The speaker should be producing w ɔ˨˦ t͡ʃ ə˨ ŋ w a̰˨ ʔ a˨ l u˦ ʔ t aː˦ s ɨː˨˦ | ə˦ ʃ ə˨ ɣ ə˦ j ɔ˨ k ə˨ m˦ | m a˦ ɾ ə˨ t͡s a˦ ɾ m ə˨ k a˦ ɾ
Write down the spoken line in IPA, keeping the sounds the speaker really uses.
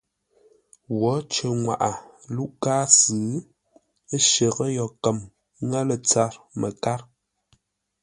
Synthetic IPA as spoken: w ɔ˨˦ t͡ʃ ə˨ ŋ w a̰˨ ʔ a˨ l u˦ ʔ k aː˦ s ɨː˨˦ | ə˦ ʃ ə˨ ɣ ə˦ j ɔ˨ k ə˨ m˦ | ŋ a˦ l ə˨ t͡s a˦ ɾ m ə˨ k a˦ ɾ